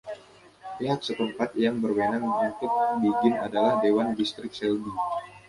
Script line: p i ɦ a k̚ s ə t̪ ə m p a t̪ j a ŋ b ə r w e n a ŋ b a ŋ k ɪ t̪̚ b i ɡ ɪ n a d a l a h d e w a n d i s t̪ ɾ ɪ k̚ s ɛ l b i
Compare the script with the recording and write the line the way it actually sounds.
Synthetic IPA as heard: p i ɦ a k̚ s ə t̪ ə m p a t̪ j a ŋ b ə r w e n a ŋ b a ŋ k ɪ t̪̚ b i ɡ ɪ n a d a l a h d e w a n d i s t̪ ɾ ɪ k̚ s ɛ l b i